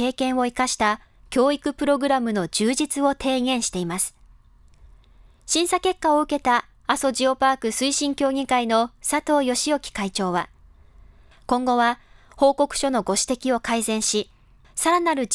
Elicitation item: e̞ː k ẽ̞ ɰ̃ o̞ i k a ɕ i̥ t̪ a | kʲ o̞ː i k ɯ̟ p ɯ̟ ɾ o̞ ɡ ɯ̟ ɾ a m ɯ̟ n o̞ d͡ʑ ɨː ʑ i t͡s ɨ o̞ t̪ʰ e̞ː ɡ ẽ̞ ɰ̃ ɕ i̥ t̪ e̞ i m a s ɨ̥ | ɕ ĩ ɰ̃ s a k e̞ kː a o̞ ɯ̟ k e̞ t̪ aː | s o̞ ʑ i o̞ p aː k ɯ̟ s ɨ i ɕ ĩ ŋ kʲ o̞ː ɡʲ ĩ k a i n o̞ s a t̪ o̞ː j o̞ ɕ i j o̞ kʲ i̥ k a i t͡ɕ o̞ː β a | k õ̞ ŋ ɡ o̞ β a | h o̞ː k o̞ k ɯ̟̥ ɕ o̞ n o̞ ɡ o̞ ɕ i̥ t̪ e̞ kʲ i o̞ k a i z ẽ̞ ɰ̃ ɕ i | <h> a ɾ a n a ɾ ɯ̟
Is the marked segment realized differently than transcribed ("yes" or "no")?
yes